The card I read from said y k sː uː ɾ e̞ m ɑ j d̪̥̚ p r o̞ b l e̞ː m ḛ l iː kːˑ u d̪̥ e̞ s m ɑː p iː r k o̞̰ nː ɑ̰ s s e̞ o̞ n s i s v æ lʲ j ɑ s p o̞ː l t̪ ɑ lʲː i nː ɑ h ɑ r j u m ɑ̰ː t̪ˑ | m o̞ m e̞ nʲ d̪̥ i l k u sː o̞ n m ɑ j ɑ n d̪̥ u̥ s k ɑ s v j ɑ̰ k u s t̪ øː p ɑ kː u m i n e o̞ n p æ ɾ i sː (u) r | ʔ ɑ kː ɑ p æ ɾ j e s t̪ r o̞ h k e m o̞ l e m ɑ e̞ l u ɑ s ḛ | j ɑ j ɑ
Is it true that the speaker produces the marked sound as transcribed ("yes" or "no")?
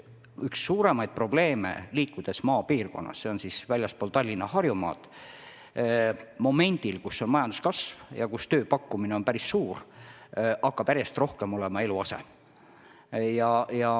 no